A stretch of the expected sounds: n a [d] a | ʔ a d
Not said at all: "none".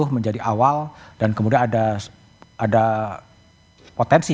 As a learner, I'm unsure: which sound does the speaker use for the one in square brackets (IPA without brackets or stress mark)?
d